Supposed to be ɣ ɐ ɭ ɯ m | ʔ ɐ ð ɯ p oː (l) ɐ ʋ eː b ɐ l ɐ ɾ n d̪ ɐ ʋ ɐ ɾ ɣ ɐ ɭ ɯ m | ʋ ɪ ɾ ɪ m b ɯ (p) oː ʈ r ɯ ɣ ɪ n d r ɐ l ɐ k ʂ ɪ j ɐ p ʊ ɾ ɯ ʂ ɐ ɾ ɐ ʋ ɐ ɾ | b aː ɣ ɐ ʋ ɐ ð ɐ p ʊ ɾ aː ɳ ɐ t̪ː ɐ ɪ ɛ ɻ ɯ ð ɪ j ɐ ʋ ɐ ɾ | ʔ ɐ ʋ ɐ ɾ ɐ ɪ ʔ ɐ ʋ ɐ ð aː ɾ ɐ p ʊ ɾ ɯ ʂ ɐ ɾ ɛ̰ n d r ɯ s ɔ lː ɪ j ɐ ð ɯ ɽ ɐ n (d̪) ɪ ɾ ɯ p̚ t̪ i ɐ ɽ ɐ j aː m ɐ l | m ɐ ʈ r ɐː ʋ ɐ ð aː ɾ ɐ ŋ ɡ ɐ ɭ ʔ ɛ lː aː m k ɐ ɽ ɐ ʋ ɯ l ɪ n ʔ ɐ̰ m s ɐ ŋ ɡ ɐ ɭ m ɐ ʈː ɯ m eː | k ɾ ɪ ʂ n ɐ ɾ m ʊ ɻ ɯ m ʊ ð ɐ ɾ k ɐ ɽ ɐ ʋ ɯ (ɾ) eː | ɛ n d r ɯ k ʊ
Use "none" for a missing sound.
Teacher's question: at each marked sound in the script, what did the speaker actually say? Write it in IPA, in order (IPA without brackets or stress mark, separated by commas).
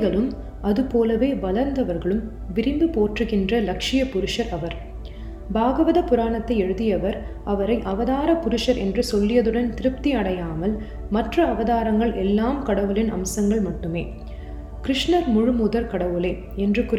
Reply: l, p, t̪, l